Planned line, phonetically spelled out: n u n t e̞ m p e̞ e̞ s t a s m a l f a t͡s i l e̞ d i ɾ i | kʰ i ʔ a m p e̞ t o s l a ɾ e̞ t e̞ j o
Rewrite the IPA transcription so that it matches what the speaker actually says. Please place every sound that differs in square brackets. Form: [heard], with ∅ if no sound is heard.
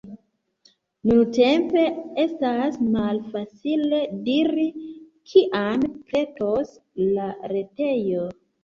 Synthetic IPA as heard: n u n t e̞ m p e̞ e̞ s t a s m a l f a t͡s i l e̞ d i ɾ i | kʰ i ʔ a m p e̞ t o s l a ɾ e̞ t e̞ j o